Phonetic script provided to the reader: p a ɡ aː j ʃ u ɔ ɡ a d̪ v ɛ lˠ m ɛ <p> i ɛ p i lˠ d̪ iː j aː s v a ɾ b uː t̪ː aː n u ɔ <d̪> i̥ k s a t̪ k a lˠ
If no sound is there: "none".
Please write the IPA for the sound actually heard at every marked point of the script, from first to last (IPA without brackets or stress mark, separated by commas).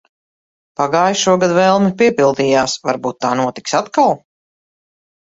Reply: p, t̪